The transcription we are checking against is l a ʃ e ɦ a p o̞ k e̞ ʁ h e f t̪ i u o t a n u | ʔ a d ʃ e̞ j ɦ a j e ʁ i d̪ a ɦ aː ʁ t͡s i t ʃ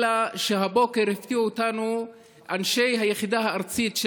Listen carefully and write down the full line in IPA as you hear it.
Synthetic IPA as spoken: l a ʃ e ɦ a b o̞ k e̞ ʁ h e f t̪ i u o t a n u | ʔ a n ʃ e̞ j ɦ a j e χ i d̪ a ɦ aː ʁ t͡s i t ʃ